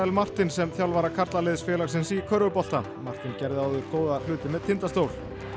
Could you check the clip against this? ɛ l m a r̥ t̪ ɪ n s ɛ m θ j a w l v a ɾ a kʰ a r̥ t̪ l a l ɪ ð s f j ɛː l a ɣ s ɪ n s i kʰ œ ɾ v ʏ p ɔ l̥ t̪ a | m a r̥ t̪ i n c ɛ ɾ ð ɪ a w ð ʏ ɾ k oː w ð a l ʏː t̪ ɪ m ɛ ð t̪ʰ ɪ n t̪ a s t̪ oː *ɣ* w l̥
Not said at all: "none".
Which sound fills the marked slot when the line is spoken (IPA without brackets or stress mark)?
none